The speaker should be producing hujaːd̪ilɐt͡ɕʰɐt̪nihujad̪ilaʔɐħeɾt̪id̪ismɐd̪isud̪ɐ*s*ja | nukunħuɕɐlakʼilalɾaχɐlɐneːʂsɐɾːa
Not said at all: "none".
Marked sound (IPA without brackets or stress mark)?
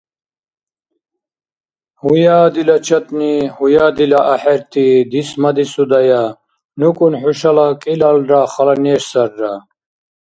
none